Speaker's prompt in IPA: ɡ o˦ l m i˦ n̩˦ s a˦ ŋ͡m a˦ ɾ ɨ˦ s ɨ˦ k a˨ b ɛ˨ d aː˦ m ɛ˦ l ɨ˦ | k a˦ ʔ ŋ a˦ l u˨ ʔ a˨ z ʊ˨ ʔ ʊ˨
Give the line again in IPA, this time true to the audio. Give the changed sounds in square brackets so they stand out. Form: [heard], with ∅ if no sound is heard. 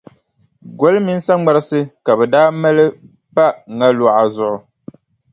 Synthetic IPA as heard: ɡ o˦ l m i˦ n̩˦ s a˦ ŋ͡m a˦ ɾ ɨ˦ s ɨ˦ k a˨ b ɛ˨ d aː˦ m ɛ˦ l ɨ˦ | [p] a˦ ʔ ŋ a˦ l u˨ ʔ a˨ z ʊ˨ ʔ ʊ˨